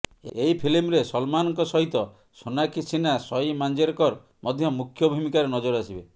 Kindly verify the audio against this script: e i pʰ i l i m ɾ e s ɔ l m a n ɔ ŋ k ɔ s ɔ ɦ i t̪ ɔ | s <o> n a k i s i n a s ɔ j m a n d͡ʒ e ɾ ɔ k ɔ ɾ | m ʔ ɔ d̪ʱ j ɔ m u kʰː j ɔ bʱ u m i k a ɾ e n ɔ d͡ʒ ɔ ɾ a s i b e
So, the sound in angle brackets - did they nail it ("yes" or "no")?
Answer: yes